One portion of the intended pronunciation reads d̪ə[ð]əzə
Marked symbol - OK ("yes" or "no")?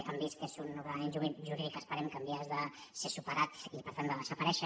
yes